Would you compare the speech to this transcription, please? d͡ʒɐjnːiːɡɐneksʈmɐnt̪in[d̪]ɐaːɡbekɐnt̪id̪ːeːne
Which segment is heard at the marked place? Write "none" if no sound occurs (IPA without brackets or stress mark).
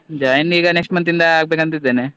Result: d̪